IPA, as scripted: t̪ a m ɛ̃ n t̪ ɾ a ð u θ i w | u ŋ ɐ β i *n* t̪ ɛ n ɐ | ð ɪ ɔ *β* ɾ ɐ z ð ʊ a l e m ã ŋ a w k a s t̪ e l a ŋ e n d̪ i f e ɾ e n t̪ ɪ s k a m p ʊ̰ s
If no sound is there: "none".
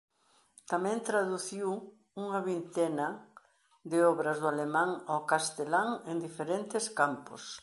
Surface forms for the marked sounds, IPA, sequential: n, β

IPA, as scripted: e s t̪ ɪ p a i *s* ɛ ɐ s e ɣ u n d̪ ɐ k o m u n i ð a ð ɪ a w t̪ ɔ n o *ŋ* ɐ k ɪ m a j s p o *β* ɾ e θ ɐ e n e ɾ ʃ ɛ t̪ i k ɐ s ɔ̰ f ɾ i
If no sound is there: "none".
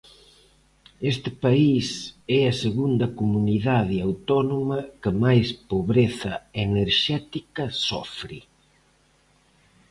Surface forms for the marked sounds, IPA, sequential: s, m, β

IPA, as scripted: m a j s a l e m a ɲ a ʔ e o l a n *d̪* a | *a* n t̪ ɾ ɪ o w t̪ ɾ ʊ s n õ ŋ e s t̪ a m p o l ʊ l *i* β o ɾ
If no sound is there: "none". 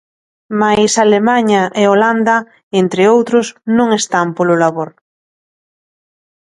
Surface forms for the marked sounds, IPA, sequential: d̪, e, a

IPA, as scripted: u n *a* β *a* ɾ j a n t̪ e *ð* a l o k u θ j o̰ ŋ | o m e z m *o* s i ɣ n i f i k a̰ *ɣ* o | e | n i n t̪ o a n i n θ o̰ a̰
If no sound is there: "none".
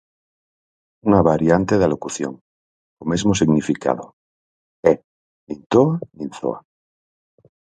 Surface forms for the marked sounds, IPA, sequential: a, a, ð, o, ð

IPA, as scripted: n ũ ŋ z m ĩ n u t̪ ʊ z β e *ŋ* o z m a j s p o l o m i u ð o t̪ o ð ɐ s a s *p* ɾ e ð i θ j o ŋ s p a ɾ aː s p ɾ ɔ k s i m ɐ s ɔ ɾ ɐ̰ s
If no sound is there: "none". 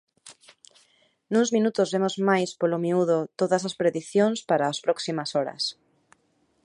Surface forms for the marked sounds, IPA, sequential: m, p

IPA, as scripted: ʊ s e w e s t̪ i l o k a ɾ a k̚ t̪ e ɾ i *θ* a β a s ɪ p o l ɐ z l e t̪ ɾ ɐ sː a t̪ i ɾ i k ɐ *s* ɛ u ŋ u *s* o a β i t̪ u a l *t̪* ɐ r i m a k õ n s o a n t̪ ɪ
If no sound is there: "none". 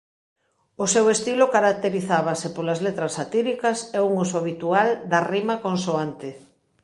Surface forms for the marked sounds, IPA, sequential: θ, s, s, d̪

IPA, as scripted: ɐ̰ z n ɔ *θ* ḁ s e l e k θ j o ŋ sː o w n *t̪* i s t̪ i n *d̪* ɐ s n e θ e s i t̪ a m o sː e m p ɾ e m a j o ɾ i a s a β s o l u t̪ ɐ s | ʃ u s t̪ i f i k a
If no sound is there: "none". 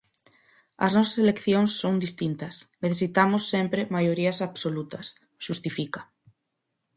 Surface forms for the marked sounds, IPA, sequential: s, d̪, t̪

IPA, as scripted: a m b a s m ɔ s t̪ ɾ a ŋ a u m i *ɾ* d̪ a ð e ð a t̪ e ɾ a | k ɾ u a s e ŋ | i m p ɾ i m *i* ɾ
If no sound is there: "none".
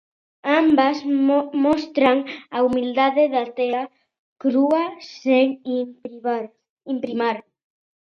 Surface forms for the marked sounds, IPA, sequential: l, a

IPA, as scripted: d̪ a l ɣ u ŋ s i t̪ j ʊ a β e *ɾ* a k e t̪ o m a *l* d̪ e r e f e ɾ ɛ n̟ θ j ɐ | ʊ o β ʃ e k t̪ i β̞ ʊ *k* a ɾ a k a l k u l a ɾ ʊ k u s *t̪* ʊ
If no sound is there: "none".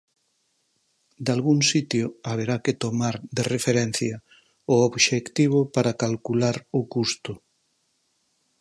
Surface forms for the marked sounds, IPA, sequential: ɾ, ɾ, p, t̪

